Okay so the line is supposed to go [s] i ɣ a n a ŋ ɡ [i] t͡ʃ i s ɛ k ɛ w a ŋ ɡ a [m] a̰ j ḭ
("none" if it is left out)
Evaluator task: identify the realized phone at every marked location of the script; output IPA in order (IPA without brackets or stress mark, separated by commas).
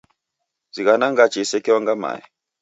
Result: z, a, m